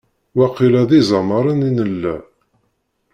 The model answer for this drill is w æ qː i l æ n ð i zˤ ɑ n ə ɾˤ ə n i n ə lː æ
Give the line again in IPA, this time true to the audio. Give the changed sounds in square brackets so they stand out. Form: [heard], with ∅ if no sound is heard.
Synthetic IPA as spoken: w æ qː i l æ [∅] ð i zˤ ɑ [m] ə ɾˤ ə n i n ə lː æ